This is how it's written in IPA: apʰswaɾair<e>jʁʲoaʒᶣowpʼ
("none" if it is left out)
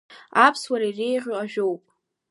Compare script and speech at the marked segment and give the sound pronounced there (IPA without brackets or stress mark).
e